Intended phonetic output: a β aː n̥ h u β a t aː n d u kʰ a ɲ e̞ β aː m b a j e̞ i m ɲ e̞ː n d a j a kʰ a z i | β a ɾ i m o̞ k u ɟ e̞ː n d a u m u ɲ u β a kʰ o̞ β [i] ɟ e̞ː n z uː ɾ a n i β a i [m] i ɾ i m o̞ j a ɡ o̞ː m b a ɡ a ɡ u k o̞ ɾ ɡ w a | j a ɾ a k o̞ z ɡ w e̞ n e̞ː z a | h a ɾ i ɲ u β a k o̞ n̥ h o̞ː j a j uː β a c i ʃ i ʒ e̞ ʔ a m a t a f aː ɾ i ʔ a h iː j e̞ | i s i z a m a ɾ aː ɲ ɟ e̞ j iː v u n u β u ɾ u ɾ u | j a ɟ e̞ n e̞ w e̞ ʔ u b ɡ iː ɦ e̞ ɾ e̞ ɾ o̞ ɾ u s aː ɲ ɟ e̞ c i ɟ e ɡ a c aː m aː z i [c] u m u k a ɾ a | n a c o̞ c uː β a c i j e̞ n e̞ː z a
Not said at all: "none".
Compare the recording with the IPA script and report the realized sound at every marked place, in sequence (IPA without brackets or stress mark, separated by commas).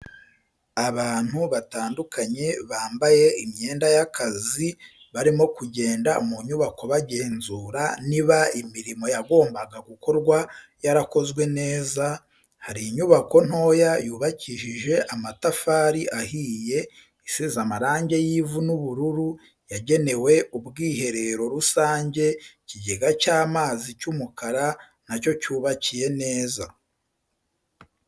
a, m, c